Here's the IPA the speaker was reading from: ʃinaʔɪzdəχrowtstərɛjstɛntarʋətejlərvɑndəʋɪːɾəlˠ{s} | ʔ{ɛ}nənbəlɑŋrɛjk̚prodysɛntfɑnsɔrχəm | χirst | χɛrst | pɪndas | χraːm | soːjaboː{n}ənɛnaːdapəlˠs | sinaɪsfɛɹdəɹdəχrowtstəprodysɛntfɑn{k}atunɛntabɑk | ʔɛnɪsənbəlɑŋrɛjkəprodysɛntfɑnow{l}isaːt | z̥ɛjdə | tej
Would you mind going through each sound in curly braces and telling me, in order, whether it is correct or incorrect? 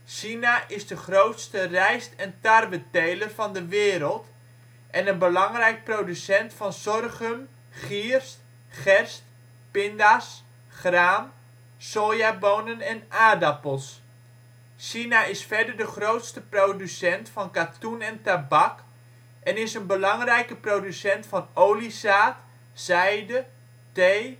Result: incorrect: t, correct, correct, correct, correct

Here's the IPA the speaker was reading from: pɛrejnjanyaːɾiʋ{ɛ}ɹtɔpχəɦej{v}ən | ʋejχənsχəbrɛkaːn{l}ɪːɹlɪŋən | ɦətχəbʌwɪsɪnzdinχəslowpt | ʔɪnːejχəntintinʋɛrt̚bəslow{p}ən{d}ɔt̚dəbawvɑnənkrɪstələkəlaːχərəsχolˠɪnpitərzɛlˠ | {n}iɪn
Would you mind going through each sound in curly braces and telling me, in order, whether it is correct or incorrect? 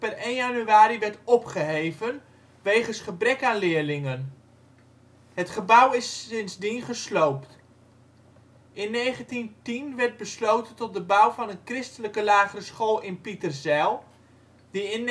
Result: correct, correct, correct, incorrect: t, incorrect: t, incorrect: d

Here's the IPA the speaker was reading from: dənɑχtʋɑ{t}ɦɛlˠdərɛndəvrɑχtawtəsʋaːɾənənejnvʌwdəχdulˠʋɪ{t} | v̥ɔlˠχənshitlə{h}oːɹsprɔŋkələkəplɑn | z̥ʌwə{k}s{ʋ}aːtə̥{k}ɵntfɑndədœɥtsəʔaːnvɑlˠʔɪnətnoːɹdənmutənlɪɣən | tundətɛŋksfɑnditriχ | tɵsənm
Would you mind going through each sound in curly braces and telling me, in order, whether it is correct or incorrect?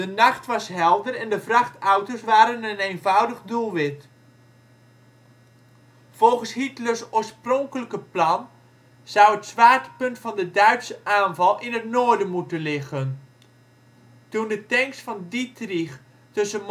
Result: incorrect: s, correct, incorrect: s, incorrect: t, correct, incorrect: p

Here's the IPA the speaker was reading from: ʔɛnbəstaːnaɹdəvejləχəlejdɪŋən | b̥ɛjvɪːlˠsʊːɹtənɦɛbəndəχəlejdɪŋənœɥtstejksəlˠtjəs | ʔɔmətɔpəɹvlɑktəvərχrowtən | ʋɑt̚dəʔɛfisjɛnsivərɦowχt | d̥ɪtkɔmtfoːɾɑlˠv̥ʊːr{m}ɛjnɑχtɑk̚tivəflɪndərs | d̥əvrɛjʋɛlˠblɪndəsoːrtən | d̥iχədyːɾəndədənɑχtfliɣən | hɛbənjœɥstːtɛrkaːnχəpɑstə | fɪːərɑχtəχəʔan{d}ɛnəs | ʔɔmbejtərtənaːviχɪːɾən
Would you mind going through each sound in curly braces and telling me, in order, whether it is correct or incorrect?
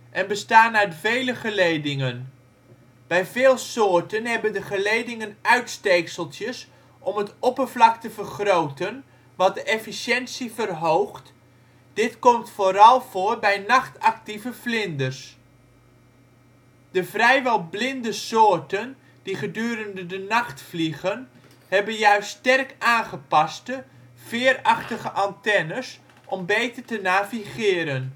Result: incorrect: b, incorrect: t

